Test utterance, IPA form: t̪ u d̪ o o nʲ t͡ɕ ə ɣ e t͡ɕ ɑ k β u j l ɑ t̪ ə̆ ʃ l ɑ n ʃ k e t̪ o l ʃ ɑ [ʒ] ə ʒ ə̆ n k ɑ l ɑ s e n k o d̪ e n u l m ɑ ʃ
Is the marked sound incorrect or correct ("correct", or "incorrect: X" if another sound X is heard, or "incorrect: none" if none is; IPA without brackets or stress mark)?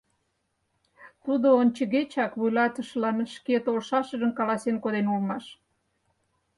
incorrect: ʃ